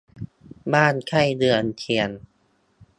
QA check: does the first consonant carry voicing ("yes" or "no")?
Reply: yes